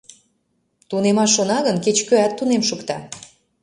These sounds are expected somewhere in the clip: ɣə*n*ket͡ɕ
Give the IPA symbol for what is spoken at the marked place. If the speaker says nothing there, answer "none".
n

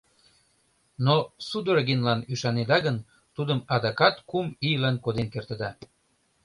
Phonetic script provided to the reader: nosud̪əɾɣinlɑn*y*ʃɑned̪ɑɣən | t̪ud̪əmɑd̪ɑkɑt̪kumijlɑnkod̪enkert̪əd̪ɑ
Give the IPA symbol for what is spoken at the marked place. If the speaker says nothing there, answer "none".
y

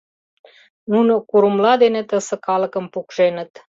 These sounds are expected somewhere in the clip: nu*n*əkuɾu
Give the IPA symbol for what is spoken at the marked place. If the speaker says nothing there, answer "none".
n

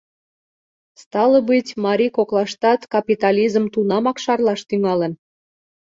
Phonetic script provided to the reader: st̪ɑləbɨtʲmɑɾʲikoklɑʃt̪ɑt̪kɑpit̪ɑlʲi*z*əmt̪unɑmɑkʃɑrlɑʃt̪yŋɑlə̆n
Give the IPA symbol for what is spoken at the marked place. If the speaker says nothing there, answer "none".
z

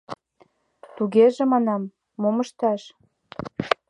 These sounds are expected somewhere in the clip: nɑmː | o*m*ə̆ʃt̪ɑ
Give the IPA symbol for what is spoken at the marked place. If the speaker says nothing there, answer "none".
m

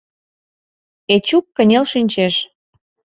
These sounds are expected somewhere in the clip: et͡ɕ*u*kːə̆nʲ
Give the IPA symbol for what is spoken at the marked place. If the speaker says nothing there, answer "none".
u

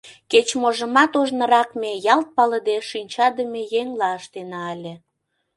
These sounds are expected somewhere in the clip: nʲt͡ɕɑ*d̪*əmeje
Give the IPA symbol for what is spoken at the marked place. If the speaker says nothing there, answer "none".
d̪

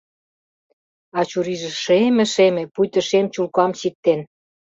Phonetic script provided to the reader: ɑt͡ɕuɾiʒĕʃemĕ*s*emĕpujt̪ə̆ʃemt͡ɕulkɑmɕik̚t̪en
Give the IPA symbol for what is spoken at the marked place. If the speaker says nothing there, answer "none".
ʃ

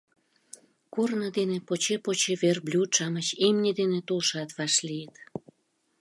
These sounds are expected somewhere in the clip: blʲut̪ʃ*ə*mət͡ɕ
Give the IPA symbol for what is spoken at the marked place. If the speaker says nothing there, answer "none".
ɑ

